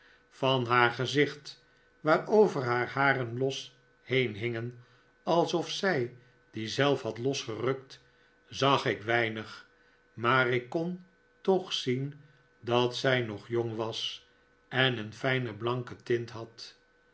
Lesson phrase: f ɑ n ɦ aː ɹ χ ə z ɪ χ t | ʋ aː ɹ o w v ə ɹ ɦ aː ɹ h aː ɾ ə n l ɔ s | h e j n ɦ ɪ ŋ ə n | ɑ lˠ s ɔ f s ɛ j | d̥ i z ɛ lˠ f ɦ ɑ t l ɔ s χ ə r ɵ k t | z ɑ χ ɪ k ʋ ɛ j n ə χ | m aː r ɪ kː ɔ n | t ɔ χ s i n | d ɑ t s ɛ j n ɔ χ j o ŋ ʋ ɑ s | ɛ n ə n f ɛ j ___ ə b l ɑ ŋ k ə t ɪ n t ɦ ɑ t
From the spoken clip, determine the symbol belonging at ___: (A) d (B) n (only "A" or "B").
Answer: B